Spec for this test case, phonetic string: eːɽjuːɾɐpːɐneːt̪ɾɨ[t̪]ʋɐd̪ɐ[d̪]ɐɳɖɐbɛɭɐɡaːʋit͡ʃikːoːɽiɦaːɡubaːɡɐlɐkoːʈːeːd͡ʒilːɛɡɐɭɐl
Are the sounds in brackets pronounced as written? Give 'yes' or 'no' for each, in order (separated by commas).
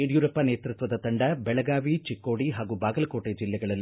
yes, no